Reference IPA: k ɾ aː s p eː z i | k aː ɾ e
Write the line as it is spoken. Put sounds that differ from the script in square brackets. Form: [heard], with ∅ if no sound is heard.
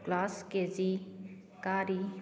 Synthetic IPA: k [l] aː s [k] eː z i | k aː ɾ [i]